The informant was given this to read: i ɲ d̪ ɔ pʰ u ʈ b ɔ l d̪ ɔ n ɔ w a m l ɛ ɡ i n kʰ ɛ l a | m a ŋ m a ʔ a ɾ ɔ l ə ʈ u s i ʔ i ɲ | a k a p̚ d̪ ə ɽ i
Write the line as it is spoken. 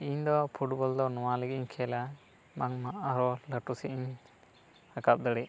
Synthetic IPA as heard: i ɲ d̪ ɔ pʰ u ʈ b ɔ l d̪ ɔ n ɔ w a l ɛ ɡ i ɲ kʰ ɛ l a | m a ŋ m a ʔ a ɾ ɔ l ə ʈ u s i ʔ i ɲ | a k a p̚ d̪ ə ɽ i